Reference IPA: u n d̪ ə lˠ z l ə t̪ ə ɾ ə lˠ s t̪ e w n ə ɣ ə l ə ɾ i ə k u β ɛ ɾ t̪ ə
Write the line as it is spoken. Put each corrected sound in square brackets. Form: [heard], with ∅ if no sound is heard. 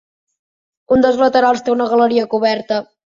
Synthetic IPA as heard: u n d̪ ə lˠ z l ə t̪ ə ɾ [a] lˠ s t̪ e [u] n ə ɣ ə l ə ɾ i ə k u β ɛ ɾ t̪ ə